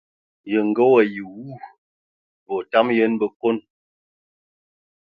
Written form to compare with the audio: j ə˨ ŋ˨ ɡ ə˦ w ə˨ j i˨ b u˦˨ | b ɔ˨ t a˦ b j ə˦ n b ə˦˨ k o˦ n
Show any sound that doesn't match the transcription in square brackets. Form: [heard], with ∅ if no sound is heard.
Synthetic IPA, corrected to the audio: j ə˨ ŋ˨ ɡ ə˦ w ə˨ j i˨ [w] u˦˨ | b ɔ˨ t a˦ [m] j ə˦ n b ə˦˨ k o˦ n